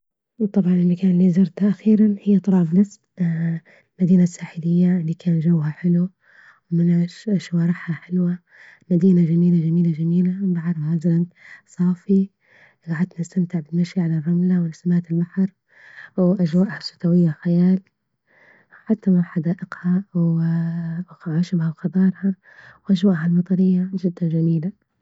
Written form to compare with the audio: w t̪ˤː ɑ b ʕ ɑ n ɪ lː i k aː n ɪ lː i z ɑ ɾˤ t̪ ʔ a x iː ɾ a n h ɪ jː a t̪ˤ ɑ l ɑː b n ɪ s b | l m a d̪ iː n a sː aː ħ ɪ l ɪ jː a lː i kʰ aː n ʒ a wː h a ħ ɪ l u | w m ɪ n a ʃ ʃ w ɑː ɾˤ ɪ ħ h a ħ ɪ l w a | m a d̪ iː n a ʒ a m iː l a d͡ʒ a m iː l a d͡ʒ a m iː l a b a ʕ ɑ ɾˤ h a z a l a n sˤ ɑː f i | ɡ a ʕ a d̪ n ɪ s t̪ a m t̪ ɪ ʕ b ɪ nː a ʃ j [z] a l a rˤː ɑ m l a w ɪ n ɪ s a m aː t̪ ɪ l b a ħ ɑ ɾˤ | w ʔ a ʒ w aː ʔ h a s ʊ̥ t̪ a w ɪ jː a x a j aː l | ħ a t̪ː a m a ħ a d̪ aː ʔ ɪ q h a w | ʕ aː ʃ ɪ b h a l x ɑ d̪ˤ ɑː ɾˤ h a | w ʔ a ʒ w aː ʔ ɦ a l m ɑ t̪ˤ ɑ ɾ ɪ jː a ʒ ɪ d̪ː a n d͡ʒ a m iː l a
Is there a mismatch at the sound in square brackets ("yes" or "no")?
yes